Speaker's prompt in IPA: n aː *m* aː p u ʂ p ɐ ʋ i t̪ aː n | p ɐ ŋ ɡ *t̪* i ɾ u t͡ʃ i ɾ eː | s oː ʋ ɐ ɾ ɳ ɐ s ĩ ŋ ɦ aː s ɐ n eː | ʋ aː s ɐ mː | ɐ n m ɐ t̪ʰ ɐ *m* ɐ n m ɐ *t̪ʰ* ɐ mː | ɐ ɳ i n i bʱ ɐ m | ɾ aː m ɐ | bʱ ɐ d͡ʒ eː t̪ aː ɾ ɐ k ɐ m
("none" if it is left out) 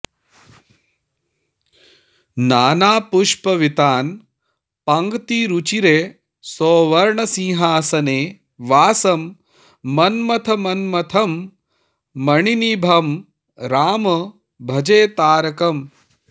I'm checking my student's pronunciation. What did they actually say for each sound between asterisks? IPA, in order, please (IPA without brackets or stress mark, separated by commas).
n, t̪, m, t̪ʰ